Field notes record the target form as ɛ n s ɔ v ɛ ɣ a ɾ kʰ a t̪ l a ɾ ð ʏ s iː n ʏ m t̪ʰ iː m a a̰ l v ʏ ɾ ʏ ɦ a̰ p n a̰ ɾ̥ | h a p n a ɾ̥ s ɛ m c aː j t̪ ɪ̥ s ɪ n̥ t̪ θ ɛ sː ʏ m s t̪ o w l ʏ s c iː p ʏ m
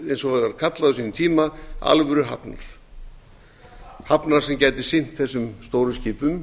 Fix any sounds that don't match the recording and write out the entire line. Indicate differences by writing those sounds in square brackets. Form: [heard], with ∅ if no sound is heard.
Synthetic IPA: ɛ n s ɔ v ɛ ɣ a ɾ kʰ a t̪ l a [∅] ð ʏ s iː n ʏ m t̪ʰ iː m a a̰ l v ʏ ɾ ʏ ɦ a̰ p n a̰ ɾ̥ | h a p n a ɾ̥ s ɛ m c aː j t̪ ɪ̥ s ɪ n̥ t̪ θ ɛ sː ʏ m s t̪ o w [ɾ] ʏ s c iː p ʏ m